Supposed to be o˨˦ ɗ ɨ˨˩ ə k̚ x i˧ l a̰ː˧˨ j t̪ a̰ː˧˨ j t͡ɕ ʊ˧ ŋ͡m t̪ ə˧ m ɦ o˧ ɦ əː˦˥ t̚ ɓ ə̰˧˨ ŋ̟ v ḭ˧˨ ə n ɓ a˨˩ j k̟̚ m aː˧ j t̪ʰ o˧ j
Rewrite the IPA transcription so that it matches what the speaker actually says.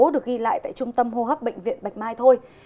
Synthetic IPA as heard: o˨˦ ɗ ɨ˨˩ ə k̚ ɣ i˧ l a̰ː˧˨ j t̪ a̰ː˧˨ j t͡ɕ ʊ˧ ŋ͡m t̪ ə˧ m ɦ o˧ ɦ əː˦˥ p̚ ɓ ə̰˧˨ ŋ̟ v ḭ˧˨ ə n ɓ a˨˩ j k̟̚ m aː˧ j t̪ʰ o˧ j